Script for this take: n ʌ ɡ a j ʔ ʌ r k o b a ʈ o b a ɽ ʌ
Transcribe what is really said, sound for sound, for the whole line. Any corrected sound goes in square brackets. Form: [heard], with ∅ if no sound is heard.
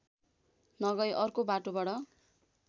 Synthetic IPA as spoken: n ʌ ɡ [ʌ] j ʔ ʌ r k o b a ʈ o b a ɽ ʌ